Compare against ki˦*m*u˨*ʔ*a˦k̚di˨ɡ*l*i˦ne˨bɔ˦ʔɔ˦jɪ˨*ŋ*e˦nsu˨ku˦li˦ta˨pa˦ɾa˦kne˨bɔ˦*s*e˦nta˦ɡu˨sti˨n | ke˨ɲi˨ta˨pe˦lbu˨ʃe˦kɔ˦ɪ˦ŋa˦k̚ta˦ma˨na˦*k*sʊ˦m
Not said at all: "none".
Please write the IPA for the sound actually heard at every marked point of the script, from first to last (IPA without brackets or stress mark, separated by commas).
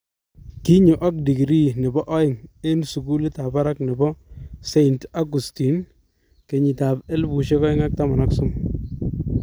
ɲ, ʔ, ɾ, ŋ, s, k